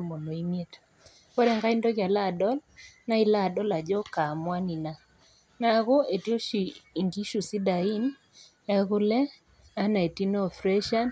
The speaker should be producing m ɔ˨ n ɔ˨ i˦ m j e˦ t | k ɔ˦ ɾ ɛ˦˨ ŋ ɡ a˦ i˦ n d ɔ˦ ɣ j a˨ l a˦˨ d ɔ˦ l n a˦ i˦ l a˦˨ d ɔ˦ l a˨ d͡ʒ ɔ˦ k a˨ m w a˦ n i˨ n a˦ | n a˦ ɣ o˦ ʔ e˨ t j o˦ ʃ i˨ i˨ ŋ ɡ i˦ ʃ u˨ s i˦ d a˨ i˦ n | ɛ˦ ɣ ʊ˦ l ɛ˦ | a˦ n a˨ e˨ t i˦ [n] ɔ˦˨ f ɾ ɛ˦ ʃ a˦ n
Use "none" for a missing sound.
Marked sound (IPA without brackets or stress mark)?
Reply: n